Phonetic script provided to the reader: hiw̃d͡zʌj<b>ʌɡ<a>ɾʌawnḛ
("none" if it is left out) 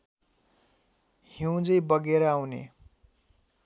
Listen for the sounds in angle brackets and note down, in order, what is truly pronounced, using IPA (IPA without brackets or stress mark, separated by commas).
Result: b, e